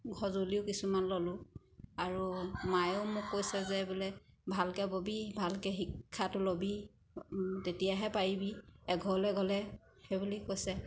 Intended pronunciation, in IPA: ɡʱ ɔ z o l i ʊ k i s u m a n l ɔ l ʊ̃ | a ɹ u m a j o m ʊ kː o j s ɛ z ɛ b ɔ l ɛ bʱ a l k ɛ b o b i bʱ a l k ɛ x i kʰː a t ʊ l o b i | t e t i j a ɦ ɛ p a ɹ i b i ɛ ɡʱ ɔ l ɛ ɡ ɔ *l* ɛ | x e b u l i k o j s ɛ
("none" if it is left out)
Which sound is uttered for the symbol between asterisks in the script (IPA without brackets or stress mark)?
l